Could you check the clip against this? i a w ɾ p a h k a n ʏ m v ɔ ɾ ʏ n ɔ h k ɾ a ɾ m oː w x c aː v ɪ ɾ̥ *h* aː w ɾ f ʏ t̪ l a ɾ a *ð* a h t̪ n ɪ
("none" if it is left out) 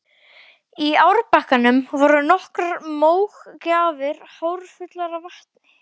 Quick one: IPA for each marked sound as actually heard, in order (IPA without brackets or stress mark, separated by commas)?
h, v